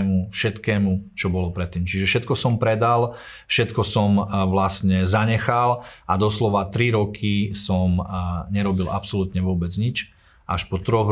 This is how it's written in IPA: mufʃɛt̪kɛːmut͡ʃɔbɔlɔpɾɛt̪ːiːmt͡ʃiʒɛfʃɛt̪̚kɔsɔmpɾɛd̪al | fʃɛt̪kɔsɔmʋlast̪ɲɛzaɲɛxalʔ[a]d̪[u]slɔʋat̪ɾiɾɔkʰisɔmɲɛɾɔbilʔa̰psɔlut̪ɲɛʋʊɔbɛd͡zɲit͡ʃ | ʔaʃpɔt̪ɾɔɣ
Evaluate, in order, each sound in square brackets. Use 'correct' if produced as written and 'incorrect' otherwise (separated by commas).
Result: correct, incorrect